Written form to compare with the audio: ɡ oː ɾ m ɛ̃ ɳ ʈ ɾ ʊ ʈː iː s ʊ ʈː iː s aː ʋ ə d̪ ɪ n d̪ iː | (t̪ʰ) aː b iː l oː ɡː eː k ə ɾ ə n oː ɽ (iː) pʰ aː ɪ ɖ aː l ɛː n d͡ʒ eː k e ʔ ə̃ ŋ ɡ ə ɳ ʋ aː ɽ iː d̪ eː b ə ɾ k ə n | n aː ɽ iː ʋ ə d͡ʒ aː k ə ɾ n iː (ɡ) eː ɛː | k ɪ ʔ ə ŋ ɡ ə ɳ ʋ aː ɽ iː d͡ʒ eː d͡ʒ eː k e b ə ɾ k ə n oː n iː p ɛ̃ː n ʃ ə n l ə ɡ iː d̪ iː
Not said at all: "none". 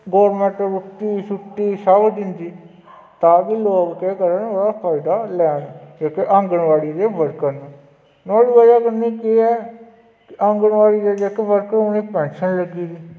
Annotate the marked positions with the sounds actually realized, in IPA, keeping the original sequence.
t̪, aː, k

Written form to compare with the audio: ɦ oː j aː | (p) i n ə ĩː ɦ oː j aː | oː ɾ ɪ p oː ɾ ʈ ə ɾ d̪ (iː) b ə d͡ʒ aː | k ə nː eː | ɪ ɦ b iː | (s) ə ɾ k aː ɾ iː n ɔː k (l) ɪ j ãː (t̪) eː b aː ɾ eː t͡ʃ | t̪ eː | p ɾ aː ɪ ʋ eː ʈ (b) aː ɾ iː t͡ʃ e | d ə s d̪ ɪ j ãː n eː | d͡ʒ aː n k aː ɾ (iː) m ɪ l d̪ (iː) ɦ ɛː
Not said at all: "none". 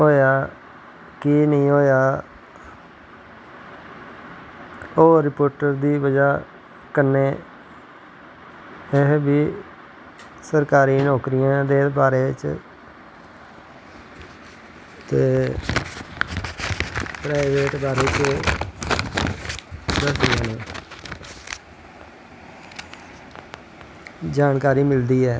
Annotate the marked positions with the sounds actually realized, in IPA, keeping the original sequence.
k, iː, s, ɾ, d̪, b, iː, iː

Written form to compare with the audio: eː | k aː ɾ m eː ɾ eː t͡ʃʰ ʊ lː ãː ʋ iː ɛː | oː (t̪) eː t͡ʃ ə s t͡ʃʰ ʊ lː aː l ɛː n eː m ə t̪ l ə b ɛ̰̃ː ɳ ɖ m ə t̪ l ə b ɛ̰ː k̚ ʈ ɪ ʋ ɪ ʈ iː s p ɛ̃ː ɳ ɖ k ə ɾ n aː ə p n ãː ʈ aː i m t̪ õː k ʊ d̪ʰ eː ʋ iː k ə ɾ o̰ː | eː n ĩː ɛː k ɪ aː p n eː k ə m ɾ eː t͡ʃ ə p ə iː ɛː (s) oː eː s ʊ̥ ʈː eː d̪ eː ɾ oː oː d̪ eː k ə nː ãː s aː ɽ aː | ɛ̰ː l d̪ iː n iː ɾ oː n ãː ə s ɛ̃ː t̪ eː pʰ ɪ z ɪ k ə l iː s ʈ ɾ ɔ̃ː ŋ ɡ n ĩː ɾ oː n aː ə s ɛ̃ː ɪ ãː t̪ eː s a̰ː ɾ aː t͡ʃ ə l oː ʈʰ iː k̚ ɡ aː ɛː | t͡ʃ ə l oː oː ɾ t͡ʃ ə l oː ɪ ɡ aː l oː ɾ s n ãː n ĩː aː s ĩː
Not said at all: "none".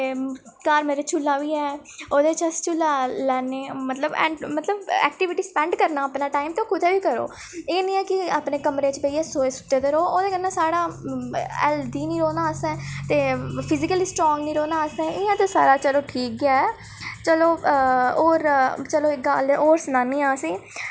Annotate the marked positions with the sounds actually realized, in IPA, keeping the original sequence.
d̪, s

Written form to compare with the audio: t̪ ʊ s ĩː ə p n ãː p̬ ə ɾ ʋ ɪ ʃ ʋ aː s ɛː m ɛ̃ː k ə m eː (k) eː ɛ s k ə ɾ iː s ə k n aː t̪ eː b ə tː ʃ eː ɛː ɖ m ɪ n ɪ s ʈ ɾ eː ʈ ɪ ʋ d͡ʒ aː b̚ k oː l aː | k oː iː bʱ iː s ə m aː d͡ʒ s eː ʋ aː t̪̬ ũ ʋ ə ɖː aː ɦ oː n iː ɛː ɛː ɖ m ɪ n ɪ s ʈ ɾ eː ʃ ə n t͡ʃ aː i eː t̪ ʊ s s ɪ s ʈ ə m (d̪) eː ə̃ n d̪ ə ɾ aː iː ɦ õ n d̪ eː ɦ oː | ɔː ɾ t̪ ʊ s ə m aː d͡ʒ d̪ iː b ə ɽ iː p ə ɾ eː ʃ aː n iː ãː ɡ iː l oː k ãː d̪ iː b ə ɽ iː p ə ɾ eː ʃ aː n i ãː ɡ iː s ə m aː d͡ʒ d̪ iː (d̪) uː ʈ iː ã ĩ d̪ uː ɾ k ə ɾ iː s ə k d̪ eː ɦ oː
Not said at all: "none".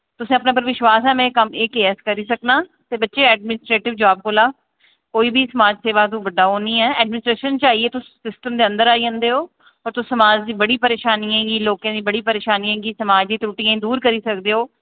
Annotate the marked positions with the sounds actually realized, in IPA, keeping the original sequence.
k, d̪, t̪

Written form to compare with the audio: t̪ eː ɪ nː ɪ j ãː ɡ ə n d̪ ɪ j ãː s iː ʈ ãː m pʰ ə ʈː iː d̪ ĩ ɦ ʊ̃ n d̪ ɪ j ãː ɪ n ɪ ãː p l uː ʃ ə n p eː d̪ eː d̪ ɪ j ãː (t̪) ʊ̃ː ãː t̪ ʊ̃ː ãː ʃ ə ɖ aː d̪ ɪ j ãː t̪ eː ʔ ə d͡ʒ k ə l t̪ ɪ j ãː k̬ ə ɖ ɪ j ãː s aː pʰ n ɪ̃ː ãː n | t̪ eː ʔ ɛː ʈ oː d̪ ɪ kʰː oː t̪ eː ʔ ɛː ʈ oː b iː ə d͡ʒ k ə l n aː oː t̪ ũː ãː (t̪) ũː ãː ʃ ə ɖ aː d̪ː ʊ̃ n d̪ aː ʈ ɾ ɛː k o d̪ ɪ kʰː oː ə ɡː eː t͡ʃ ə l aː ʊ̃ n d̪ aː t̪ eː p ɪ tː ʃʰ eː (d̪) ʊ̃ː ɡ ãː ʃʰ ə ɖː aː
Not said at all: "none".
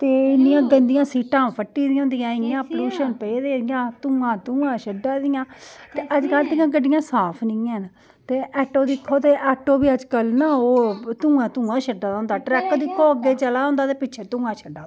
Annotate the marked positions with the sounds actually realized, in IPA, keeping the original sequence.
t̪, t̪, t̪

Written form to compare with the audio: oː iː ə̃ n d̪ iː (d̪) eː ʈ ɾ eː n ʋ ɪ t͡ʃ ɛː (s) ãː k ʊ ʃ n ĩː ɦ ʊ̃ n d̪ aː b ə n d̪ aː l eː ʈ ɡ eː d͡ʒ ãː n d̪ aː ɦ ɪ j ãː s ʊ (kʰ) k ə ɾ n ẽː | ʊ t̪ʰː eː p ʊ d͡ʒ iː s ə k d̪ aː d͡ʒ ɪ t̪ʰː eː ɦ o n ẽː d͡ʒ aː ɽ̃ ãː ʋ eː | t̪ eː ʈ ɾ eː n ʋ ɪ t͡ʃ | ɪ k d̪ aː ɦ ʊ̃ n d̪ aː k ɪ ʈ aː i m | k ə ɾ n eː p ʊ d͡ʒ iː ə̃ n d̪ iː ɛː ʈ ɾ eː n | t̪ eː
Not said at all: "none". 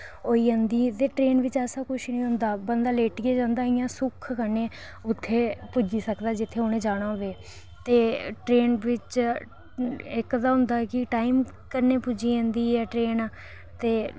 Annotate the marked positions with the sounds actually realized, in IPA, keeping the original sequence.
t̪, s, kʰ

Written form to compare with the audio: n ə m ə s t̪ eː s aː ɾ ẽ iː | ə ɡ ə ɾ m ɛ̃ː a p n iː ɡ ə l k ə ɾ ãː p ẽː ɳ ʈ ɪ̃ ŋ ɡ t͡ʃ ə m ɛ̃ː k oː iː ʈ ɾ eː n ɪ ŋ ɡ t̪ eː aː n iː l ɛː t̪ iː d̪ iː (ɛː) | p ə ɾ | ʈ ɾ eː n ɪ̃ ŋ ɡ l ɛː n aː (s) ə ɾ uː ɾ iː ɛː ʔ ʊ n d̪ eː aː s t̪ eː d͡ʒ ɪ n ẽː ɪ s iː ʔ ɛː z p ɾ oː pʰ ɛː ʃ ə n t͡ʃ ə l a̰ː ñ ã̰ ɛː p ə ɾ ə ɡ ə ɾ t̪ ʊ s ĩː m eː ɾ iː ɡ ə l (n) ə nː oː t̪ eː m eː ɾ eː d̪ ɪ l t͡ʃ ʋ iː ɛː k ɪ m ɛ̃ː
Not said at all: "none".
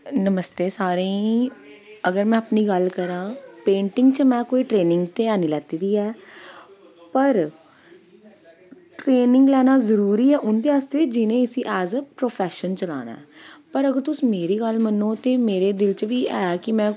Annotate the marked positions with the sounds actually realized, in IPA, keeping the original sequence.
ɛː, z, m

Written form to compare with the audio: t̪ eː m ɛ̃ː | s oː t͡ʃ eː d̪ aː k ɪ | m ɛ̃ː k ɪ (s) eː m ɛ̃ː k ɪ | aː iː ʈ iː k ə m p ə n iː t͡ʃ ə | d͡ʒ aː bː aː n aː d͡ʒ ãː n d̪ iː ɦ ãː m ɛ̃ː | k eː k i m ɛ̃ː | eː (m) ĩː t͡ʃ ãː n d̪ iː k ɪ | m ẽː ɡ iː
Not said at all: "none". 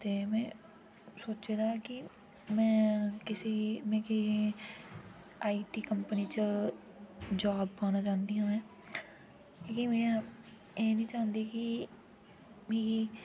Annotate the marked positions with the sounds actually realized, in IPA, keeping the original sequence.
s, n

